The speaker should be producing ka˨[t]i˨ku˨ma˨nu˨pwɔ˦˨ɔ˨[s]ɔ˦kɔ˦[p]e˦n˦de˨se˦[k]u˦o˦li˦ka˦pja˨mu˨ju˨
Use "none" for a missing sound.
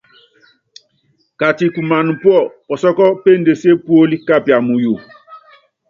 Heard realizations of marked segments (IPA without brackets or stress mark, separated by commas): t, s, p, p